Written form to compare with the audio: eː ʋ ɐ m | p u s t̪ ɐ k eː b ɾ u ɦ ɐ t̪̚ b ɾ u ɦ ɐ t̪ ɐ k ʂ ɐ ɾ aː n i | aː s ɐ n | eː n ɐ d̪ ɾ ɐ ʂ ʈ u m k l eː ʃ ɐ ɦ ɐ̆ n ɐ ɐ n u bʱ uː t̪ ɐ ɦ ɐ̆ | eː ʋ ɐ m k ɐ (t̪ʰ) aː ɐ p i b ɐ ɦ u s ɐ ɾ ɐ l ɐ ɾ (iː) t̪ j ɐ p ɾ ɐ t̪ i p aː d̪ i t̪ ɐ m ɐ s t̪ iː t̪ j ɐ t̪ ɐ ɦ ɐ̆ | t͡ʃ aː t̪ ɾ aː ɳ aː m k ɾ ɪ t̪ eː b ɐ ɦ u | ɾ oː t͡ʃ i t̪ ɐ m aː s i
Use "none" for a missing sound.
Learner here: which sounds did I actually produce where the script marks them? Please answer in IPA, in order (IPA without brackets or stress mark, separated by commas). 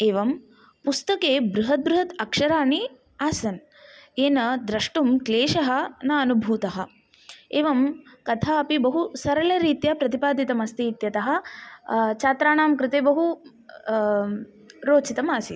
t̪ʰ, iː